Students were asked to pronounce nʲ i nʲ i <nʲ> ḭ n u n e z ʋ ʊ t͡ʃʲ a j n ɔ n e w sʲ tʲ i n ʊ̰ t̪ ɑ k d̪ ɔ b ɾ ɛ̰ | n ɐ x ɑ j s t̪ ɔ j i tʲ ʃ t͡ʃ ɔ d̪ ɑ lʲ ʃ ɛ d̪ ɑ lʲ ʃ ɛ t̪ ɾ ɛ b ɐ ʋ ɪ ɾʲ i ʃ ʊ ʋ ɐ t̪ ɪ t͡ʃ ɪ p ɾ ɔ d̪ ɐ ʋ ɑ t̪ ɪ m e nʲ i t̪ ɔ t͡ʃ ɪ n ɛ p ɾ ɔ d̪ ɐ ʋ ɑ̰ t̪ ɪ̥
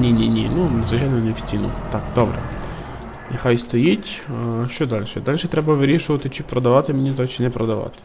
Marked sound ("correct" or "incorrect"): correct